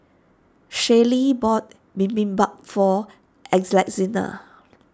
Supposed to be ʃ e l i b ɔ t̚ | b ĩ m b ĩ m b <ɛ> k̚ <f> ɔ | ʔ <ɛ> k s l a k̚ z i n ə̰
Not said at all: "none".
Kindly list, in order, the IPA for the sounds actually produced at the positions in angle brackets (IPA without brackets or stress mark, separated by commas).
a, f, ɛ